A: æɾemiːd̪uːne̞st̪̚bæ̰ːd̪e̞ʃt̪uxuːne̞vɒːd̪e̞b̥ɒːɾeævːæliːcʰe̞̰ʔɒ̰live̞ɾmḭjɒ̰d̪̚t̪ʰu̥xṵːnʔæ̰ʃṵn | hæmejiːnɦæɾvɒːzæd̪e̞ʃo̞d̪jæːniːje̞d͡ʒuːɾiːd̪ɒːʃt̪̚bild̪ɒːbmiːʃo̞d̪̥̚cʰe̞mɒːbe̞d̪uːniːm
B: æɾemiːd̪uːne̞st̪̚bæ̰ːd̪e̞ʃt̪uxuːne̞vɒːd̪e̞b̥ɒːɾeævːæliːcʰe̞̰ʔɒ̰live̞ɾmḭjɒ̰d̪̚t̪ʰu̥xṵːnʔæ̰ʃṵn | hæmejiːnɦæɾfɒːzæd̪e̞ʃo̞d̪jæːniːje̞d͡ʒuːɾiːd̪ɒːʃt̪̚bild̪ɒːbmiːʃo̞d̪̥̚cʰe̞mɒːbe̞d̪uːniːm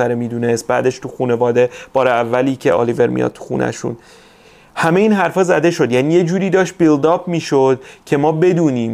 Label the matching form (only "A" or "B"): B